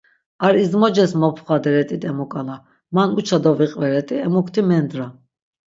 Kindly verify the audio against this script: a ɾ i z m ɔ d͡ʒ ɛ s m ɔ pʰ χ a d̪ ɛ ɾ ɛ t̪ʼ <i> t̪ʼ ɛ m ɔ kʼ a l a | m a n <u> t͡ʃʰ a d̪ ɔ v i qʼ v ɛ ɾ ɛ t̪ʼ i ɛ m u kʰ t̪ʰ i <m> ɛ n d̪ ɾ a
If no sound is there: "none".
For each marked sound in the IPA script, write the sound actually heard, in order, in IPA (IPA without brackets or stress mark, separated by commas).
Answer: i, u, m